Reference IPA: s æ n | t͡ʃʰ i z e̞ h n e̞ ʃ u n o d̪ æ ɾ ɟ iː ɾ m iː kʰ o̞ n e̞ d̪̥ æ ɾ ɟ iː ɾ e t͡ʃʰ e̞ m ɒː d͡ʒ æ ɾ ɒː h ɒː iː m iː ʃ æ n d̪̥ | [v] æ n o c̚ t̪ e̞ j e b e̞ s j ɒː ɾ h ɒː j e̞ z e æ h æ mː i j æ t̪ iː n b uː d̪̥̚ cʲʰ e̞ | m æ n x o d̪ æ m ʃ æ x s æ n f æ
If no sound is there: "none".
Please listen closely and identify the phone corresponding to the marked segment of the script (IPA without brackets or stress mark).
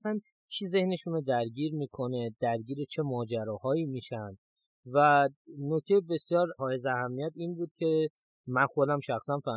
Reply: v